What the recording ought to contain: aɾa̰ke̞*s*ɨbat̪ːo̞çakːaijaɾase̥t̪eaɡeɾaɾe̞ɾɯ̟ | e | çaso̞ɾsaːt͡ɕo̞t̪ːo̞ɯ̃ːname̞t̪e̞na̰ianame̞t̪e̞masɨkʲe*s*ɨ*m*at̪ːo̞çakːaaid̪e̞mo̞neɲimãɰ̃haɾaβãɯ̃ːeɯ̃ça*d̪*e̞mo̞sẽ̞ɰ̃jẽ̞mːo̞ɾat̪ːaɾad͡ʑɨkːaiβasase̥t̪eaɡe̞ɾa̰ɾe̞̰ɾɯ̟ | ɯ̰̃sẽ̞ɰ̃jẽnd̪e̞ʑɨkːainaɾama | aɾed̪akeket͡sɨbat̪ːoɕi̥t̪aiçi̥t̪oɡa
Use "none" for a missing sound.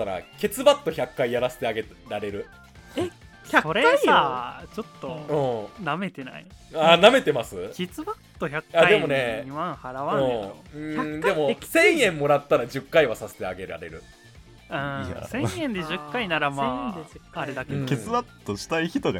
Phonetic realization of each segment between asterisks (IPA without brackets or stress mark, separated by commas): t͡s, t͡s, b, d̪